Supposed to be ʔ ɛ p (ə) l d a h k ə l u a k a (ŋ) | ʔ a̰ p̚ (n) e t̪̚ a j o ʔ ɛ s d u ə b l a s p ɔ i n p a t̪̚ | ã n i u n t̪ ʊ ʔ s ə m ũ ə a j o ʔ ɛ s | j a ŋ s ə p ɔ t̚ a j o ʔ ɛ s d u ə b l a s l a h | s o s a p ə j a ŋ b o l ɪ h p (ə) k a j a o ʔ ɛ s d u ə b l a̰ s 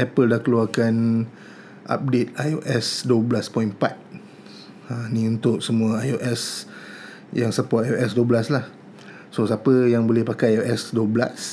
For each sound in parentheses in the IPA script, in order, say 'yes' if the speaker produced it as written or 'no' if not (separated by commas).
yes, no, no, no